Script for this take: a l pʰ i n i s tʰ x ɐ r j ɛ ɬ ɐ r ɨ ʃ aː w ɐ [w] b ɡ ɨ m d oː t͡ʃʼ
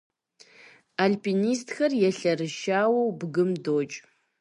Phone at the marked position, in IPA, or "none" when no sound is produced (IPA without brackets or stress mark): w